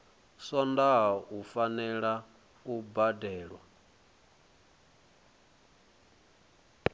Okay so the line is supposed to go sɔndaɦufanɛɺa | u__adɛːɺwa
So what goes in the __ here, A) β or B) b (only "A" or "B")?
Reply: B